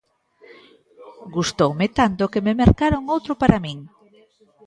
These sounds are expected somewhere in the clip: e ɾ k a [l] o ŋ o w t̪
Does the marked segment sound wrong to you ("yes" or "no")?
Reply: yes